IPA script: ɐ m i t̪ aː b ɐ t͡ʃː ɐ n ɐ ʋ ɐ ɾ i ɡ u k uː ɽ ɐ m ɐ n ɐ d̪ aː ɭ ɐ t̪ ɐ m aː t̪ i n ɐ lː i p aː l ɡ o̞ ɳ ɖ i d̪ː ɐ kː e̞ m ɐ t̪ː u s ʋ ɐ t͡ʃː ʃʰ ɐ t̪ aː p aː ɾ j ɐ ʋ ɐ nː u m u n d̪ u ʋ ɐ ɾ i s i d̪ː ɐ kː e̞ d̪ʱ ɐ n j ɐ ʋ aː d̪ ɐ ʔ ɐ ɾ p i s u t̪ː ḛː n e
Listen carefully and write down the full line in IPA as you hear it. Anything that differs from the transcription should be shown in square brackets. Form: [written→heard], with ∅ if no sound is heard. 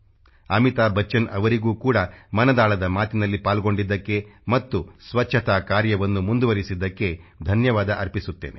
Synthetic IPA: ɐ m i t̪ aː b ɐ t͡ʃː ɐ n ɐ ʋ ɐ ɾ i ɡ [u→uː] k uː ɽ ɐ m ɐ n ɐ d̪ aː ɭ ɐ [t̪→d̪] ɐ m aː t̪ i n ɐ lː i p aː l ɡ o̞ ɳ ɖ i d̪ː ɐ kː e̞ m ɐ t̪ː u s ʋ ɐ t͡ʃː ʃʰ ɐ t̪ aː [p→k] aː ɾ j ɐ ʋ ɐ nː u m u n d̪ u ʋ ɐ ɾ i s i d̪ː ɐ kː e̞ d̪ʱ ɐ n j ɐ ʋ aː d̪ ɐ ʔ ɐ ɾ p i s u t̪ː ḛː n e

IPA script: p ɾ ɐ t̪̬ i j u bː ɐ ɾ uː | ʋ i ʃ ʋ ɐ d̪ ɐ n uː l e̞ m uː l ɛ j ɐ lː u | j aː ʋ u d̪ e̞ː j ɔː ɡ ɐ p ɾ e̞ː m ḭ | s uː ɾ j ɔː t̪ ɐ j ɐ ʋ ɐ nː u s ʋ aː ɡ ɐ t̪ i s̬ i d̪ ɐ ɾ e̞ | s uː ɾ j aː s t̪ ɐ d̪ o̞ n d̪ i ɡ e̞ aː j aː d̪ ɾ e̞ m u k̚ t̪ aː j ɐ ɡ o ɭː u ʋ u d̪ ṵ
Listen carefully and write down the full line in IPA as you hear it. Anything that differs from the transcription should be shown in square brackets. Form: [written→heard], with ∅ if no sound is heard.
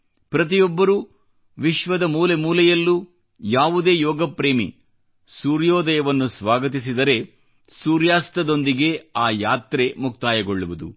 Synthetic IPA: p ɾ ɐ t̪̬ i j [u→ɔ] bː ɐ ɾ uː | ʋ i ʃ ʋ ɐ d̪ ɐ [n→m] uː l e̞ m uː l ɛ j ɐ lː u | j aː ʋ u d̪ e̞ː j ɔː ɡ ɐ p ɾ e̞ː m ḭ | s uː ɾ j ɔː [t̪→d̪] ɐ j ɐ ʋ ɐ nː u s ʋ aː ɡ ɐ t̪ i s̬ i d̪ ɐ ɾ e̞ | s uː ɾ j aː s t̪ ɐ d̪ o̞ n d̪ i ɡ e̞ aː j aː [d̪→t̪] ɾ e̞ m u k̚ t̪ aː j ɐ ɡ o ɭː u ʋ u d̪ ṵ

